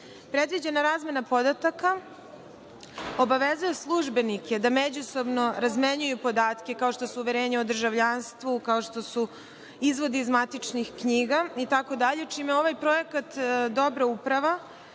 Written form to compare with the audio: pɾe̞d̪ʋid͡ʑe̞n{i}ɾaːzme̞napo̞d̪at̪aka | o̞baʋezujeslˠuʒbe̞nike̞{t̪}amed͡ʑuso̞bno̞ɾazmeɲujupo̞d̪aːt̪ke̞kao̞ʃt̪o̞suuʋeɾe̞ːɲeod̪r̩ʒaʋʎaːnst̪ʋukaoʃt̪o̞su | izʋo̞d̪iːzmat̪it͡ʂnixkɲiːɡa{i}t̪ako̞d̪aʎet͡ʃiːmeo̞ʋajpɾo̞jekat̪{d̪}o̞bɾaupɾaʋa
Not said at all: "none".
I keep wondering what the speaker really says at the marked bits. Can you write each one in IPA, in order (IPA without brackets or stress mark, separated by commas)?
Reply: a, d̪, i, d̪